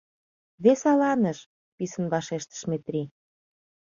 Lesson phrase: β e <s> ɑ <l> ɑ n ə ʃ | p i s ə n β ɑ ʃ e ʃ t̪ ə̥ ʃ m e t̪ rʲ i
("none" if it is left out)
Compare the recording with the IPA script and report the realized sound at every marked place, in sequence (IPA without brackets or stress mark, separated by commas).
s, l